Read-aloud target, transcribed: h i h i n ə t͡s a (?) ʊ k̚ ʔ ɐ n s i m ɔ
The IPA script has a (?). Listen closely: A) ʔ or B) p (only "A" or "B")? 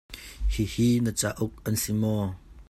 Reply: A